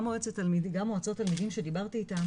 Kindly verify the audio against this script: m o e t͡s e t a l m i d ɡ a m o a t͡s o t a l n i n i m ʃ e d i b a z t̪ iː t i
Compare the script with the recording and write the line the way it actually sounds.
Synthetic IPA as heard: m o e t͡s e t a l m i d ɡ a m o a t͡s o t a l m i d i m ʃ e d i b a ʁ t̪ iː t a